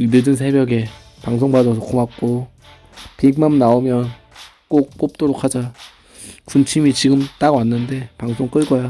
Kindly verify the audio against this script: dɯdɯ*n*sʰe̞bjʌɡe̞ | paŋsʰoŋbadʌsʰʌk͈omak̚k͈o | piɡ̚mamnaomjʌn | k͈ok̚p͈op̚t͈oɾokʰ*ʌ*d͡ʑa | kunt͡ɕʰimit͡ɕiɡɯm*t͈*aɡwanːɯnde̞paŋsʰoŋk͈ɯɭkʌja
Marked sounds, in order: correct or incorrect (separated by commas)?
correct, incorrect, correct